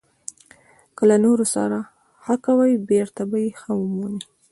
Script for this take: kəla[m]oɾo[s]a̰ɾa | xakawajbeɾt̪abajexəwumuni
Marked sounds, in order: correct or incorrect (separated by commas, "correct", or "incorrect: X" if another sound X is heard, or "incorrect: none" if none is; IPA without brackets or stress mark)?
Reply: incorrect: n, correct